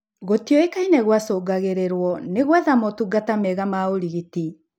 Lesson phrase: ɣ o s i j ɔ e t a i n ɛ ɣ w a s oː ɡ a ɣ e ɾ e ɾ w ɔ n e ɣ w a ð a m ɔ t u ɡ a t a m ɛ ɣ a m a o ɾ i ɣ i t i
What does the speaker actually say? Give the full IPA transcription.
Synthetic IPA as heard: ɣ o t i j ɔ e k a i n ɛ ɣ w a s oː ɡ a ɣ e ɾ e ɾ w ɔ n e ɣ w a ð a m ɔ t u ɡ a t a m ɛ ɣ a m a o ɾ i ɣ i t i